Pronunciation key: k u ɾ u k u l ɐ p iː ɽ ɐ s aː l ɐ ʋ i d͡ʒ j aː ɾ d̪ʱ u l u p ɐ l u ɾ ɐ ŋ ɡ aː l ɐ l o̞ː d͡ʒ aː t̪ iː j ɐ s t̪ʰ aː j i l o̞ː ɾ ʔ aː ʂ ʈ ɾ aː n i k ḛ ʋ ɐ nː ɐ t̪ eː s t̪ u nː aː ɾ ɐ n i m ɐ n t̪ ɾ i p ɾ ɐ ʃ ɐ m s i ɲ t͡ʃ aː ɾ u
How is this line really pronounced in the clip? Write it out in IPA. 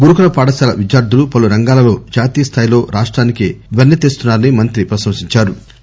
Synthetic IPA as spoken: ɡ u ɾ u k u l ɐ p aː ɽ ɐ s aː l ɐ ʋ i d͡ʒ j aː ɾ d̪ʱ u l u p ɐ l u ɾ ɐ ŋ ɡ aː l ɐ l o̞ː d͡ʒ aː t̪ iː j ɐ s t̪ʰ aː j i l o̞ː ɾ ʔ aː ʂ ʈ ɾ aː n i k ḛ ʋ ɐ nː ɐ t̪ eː s t̪ u nː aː ɾ ɐ n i m ɐ n t̪ ɾ i p ɾ ɐ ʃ ɐ m s i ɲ t͡ʃ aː ɾ u

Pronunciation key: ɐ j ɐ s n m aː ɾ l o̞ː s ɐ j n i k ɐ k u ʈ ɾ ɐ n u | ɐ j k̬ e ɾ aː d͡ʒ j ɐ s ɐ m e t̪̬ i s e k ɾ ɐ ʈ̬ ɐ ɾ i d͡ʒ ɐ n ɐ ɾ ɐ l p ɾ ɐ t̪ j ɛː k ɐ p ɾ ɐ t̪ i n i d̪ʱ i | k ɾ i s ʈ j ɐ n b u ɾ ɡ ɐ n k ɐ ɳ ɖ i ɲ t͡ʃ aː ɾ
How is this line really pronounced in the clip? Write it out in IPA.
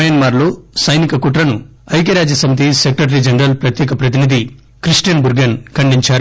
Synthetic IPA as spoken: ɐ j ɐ n m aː ɾ l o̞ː s ɐ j n i k ɐ k u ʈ ɾ ɐ n u | ɐ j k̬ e ɾ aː d͡ʒ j ɐ s ɐ m i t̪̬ i s e k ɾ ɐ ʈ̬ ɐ ɾ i d͡ʒ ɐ n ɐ ɾ ɐ l p ɾ ɐ t̪ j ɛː k ɐ p ɾ ɐ t̪ i n i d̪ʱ i | k ɾ i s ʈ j ɐ n b u ɾ ɡ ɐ n k ɐ ɳ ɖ i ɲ t͡ʃ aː ɾ

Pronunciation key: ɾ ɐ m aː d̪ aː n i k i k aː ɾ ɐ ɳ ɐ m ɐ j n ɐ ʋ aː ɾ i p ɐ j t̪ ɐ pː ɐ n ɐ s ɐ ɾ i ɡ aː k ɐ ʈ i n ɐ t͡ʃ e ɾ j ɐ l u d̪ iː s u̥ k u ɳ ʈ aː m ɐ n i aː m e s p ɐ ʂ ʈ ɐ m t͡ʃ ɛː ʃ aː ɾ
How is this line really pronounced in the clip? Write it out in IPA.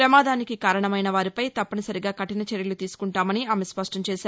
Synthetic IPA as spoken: ɾ ɐ m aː d̪ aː n i k i k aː ɾ ɐ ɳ ɐ m ɐ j n ɐ ʋ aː ɾ i p ɐ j t̪ ɐ pː ɐ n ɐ s ɐ ɾ i ɡ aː k ɐ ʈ i n ɐ t͡ʃ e ɾ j ɐ l u t̪ iː s u̥ k u ɳ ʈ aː m ɐ n i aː m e s p ɐ ʂ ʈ ɐ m t͡ʃ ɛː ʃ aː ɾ

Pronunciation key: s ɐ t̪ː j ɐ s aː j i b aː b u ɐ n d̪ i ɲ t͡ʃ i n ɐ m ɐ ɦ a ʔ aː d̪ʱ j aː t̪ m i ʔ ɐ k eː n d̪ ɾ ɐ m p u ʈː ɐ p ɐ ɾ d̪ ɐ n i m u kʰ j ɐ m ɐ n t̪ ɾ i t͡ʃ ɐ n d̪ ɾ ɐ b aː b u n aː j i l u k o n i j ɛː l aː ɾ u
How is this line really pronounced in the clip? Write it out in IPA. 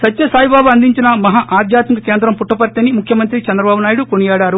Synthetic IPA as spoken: s ɐ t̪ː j ɐ s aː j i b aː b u ɐ n d̪ i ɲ t͡ʃ i n ɐ m ɐ ɦ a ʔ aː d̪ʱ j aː t̪ m i k ɐ k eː n d̪ ɾ ɐ m p u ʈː ɐ p ɐ ɾ t̪ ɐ n i m u kʰ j ɐ m ɐ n t̪ ɾ i t͡ʃ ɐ n d̪ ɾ ɐ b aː b u n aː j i ɽ u k o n i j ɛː ɽ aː ɾ u

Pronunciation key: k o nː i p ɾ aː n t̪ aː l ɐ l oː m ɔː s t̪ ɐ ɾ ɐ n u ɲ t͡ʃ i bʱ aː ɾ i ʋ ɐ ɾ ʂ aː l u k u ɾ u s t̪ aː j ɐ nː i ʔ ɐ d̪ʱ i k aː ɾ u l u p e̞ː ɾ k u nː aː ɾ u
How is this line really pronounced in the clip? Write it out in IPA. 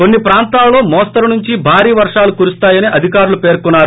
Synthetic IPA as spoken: k o nː i p ɾ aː n t̪ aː l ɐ l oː m ɔː s t̪ ɐ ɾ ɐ n u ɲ t͡ʃ i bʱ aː ɾ iː ʋ ɐ ɾ ʂ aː l u k u ɾ u s t̪ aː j ɐ n i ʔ ɐ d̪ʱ i k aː ɾ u l u p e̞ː ɾ k u nː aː ɾ u

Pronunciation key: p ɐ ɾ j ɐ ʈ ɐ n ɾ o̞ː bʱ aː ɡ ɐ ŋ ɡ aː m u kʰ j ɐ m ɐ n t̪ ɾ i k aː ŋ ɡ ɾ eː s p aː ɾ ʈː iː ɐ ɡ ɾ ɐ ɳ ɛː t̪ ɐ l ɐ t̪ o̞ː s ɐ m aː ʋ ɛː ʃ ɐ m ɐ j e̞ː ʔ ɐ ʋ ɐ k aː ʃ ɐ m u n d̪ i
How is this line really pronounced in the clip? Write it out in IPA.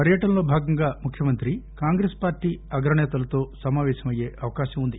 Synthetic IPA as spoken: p ɐ ɾ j ɐ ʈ ɐ n l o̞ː bʱ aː ɡ ɐ ŋ ɡ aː m u kʰ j ɐ m ɐ n t̪ ɾ i k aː ŋ ɡ ɾ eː s p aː ɾ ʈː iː ɐ ɡ ɾ ɐ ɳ ɛː t̪ ɐ l ɐ t̪ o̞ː s ɐ m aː ʋ ɛː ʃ ɐ m ɐ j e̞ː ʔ ɐ ʋ ɐ k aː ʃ ɐ m u n d̪ i

